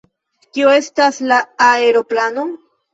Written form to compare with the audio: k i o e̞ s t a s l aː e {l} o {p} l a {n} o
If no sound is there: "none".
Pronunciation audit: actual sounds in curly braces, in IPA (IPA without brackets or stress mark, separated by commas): ɾ, p, n